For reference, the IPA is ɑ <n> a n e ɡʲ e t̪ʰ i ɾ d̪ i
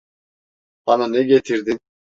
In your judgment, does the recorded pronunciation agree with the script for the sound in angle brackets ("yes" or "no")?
yes